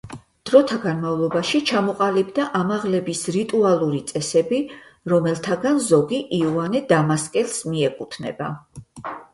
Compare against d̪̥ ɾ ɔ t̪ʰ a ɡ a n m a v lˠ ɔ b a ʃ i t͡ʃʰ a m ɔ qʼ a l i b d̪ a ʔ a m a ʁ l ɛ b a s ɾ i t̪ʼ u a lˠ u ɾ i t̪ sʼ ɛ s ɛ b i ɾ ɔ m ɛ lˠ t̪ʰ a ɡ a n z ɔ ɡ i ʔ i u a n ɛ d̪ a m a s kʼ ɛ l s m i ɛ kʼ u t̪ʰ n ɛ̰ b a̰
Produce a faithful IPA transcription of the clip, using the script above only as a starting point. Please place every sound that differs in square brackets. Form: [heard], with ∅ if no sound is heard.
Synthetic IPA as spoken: d̪̥ ɾ ɔ t̪ʰ a ɡ a n m a v lˠ ɔ b a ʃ i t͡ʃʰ a m ɔ qʼ a l i b d̪ a ʔ a m a ʁ l ɛ b [i] s ɾ i t̪ʼ u a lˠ u ɾ i t̪ sʼ ɛ s ɛ b i ɾ ɔ m ɛ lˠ t̪ʰ a ɡ a n z ɔ ɡ i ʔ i u a n ɛ d̪ a m a s kʼ ɛ l s m i ɛ kʼ u t̪ʰ n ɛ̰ b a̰

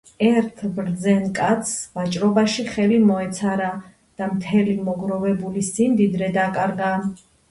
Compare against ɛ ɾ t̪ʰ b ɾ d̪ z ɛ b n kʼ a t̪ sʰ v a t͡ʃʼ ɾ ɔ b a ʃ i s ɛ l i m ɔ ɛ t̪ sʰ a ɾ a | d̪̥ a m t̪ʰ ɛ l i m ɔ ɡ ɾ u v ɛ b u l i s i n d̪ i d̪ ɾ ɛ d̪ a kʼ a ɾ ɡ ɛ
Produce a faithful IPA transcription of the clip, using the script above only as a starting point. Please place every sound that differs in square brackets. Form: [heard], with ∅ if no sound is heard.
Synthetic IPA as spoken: ɛ ɾ t̪ʰ b ɾ d̪ z ɛ [∅] n kʼ a t̪ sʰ v a t͡ʃʼ ɾ ɔ b a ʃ i [χ] ɛ l i m ɔ ɛ t̪ sʰ a ɾ a | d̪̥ a m t̪ʰ ɛ l i m ɔ ɡ ɾ [ɔ] v ɛ b u l i s i n d̪ i d̪ ɾ ɛ d̪ a kʼ a ɾ ɡ [a]

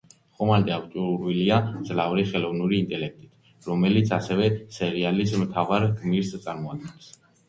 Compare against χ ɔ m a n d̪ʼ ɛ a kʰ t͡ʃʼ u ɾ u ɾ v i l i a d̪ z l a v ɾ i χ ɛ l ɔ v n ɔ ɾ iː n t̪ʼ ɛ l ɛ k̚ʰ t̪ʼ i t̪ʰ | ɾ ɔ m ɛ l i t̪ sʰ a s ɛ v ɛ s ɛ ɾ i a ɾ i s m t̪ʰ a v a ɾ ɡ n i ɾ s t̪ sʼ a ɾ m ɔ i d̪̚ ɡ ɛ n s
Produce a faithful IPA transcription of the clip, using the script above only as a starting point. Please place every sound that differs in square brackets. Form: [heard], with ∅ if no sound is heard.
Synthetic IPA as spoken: χ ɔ m a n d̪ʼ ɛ a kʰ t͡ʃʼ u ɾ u ɾ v i l i a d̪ z l a v ɾ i χ ɛ l ɔ v n [u] ɾ iː n t̪ʼ ɛ l ɛ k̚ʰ t̪ʼ i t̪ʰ | ɾ ɔ m ɛ l i t̪ sʰ a s ɛ v ɛ s ɛ ɾ i a [l] i s m t̪ʰ a v a ɾ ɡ [m] i ɾ s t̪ sʼ a ɾ m ɔ [a] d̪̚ ɡ ɛ n s

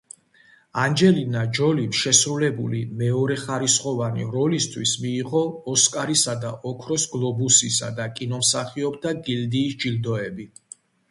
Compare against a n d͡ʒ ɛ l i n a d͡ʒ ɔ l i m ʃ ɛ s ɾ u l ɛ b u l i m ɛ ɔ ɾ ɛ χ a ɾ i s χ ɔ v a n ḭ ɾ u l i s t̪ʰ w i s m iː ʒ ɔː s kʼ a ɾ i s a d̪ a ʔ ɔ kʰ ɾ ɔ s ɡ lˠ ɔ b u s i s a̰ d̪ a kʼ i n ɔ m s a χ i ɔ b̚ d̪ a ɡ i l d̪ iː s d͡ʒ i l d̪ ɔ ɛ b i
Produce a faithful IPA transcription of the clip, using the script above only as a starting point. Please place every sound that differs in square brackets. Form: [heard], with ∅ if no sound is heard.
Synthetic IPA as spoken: a n d͡ʒ ɛ l i n a d͡ʒ ɔ l i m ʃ ɛ s ɾ u l ɛ b u l i m ɛ ɔ ɾ ɛ χ a ɾ i s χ ɔ v a n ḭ ɾ [ɔ] l i s t̪ʰ w i s m iː [ʁ] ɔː s kʼ a ɾ i s a d̪ a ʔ ɔ kʰ ɾ ɔ s ɡ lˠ ɔ b u s i s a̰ d̪ a kʼ i n ɔ m s a χ i ɔ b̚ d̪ a ɡ i l d̪ iː s d͡ʒ i l d̪ ɔ ɛ b i

